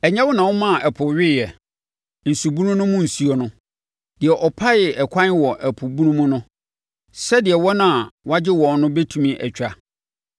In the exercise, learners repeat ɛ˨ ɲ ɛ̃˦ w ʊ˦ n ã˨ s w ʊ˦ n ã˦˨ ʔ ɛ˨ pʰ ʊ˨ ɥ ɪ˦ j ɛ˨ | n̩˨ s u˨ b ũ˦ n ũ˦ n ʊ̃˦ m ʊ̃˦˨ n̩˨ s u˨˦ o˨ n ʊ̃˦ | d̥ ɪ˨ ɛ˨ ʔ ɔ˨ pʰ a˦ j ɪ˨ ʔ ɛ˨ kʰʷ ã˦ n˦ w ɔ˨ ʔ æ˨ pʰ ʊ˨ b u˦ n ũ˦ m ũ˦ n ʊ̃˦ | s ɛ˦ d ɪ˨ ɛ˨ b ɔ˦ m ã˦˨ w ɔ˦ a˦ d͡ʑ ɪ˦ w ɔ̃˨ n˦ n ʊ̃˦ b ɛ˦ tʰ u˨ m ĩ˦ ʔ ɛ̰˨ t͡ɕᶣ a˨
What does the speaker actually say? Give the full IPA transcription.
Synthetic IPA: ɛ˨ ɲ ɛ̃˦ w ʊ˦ n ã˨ w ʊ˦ m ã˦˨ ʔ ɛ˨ pʰ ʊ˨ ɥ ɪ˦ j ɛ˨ | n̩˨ s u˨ b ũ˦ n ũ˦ n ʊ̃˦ m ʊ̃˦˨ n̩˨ s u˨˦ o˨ n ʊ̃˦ | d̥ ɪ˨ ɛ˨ ʔ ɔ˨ pʰ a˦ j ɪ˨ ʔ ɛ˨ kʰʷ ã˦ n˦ w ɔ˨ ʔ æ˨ pʰ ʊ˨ b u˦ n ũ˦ m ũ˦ n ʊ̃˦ | s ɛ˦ d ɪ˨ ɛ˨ w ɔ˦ n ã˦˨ w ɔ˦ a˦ d͡ʑ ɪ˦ w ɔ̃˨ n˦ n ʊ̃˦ b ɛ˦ tʰ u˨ m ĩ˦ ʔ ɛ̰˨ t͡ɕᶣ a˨